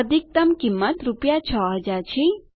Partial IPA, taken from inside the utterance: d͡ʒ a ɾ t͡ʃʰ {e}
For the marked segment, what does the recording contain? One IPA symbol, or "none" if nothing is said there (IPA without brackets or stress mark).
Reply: i